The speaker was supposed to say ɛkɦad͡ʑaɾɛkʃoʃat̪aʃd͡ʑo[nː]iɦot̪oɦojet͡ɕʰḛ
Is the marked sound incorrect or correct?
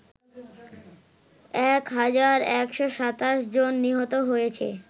correct